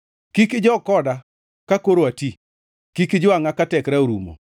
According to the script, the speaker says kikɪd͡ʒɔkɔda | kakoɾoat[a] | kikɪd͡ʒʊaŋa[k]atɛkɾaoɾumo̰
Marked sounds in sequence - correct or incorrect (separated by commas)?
incorrect, correct